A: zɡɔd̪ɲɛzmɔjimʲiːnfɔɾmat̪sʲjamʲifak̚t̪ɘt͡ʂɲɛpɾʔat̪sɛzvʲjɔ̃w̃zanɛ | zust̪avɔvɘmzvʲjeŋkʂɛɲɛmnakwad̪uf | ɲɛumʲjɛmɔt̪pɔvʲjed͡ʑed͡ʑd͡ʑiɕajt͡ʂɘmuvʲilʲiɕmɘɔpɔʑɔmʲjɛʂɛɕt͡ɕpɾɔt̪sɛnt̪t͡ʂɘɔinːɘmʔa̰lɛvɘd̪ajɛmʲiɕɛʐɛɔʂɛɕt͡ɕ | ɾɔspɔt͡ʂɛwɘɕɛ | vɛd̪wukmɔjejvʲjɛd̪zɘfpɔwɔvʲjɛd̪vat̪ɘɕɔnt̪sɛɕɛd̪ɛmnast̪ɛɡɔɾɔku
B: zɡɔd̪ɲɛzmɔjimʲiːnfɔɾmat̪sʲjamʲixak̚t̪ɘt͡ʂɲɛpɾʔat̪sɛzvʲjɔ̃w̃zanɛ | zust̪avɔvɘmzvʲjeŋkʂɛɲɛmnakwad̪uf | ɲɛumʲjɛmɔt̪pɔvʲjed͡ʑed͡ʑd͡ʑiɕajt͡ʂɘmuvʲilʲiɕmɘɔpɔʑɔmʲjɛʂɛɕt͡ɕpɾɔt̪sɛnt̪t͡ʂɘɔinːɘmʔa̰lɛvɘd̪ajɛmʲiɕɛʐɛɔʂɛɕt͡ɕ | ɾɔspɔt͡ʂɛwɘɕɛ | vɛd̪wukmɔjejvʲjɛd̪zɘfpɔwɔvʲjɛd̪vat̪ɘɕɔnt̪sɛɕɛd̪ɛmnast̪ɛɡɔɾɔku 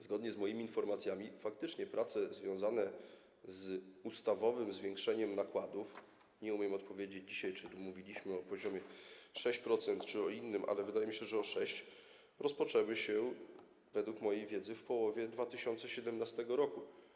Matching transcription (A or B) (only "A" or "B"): A